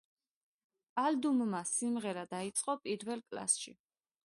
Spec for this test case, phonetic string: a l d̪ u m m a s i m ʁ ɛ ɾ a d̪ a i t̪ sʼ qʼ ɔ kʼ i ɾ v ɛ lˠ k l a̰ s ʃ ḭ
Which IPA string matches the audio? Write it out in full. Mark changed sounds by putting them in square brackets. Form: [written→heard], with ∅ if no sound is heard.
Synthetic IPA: a l d̪ u m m a s i m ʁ ɛ ɾ a d̪ a i t̪ sʼ qʼ ɔ [kʼ→pʼ] i ɾ v ɛ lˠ [k→kʼ] l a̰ s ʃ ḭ